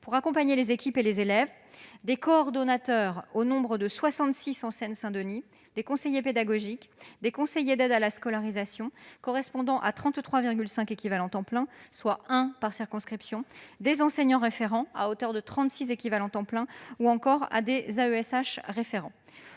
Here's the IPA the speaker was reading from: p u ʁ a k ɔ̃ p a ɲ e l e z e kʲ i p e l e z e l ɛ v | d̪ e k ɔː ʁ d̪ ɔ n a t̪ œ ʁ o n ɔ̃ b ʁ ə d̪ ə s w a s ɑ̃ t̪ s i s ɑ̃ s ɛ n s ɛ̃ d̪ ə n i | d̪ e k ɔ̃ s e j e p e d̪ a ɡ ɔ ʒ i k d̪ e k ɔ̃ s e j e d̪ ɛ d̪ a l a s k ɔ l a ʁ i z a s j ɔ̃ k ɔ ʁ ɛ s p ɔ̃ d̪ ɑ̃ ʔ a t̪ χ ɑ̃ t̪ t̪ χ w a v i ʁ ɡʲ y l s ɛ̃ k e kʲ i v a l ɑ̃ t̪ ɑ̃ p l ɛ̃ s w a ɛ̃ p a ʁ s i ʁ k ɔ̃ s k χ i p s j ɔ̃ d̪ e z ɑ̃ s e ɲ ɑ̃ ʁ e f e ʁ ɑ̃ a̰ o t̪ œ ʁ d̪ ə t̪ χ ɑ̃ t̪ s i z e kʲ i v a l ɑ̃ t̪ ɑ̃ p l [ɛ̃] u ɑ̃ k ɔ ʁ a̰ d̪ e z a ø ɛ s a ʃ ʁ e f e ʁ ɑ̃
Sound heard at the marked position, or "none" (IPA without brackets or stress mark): ɛ̃